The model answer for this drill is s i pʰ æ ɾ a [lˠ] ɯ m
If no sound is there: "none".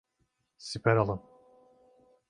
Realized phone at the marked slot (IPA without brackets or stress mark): lˠ